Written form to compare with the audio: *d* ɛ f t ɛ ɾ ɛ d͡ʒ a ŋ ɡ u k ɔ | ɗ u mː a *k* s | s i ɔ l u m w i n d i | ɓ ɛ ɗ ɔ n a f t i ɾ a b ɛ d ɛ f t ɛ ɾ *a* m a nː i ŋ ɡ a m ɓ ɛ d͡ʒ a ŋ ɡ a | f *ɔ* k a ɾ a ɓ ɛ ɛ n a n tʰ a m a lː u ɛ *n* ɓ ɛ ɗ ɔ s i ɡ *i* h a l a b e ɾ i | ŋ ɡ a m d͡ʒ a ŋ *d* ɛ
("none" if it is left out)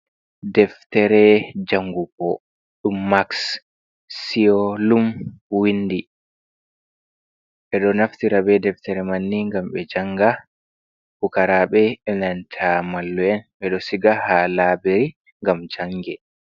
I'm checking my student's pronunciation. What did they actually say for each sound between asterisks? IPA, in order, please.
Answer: d, k, ɛ, u, n, a, ɡ

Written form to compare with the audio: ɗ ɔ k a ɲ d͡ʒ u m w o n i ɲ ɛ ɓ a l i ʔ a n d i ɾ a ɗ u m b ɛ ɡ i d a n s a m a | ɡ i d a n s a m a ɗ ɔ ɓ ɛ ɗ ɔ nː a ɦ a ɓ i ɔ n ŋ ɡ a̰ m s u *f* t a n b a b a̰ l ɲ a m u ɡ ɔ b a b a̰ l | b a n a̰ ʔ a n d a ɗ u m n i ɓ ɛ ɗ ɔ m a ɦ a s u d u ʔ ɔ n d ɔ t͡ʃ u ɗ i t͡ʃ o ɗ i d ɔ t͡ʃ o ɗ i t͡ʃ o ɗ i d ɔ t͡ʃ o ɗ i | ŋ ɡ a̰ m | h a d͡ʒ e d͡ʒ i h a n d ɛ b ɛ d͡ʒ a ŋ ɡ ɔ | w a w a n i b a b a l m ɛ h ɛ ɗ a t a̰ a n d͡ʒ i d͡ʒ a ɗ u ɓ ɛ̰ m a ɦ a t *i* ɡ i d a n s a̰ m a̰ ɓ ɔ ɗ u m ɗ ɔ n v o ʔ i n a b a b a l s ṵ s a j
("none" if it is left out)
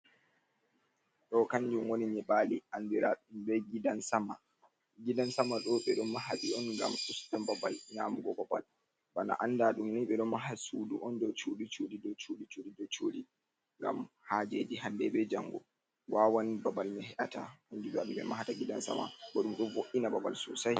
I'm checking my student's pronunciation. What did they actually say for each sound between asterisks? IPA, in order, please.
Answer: s, a

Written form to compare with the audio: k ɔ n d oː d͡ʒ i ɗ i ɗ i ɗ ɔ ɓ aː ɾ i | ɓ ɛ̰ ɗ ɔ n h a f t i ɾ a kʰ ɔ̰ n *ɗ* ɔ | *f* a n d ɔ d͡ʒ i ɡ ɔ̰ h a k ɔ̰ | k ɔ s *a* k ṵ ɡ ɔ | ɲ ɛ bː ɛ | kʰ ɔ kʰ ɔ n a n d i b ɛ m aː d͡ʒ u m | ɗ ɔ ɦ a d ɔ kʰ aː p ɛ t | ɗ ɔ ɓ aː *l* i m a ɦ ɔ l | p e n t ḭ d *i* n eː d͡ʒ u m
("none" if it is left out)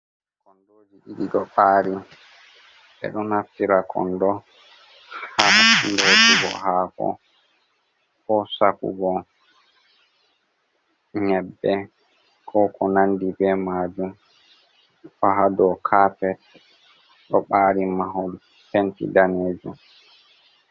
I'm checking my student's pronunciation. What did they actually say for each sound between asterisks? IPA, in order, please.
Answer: d, h, a, ɾ, a

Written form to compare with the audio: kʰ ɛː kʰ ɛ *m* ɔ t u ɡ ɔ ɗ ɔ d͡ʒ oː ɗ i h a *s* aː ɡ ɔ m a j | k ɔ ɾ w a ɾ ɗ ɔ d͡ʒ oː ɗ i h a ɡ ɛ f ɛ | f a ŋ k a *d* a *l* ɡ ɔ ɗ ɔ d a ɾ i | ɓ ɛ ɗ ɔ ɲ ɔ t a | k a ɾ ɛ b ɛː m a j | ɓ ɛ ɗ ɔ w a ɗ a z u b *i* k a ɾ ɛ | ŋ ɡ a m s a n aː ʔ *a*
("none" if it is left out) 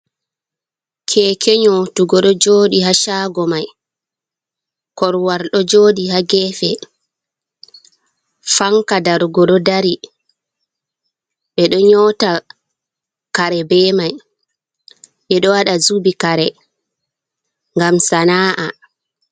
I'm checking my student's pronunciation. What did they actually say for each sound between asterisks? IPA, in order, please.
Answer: ɲ, ʃ, d, ɾ, i, a

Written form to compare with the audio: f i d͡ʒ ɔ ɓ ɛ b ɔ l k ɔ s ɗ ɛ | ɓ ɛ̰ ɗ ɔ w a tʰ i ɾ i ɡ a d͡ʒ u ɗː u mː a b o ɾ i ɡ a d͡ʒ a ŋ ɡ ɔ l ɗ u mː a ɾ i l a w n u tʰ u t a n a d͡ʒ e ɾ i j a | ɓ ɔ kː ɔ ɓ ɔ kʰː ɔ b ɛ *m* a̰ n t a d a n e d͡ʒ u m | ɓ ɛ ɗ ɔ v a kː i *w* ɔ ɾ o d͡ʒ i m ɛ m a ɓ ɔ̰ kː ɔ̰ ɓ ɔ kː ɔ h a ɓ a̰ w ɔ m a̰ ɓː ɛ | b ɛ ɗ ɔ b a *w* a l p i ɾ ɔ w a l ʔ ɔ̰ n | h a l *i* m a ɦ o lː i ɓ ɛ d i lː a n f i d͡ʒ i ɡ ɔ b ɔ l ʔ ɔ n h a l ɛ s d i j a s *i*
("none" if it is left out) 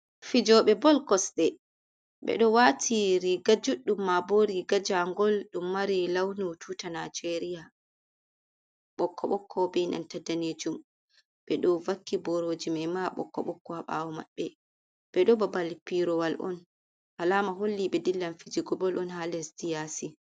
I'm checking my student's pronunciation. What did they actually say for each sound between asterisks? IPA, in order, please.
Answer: n, b, b, a, i

